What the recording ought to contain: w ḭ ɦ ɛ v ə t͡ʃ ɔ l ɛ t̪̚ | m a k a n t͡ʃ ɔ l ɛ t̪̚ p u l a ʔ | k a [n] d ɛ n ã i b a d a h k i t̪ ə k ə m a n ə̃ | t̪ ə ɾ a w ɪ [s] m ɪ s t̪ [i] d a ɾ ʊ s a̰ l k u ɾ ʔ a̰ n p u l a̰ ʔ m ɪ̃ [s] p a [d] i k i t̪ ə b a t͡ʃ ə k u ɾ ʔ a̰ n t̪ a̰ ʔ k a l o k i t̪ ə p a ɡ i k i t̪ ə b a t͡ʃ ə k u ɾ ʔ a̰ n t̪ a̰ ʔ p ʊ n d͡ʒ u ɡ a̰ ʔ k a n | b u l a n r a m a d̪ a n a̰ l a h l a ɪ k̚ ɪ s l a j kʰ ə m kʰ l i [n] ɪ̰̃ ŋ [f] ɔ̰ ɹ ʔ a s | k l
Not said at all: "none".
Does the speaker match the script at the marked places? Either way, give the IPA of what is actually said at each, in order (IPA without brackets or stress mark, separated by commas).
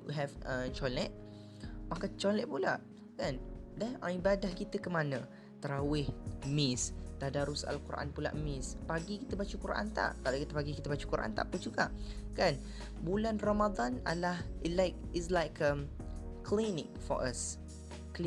n, h, a, s, ɡ, n, f